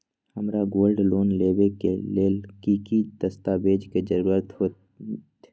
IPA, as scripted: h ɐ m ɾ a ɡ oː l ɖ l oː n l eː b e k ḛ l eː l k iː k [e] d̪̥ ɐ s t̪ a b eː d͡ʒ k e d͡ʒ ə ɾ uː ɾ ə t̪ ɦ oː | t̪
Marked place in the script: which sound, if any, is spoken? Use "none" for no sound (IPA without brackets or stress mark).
i